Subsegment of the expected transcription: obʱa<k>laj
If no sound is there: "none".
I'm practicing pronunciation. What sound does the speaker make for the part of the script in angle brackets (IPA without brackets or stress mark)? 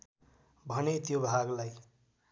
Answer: ɡ